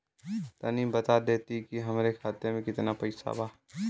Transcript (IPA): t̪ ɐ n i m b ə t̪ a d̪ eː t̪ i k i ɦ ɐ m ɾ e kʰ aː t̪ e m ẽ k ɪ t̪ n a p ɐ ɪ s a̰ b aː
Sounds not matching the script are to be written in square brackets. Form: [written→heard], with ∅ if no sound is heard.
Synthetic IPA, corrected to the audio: t̪ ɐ n i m b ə t̪ a d̪ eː t̪ i k i ɦ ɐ m ɾ e kʰ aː t̪ e m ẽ k ɪ t̪ n a p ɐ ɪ s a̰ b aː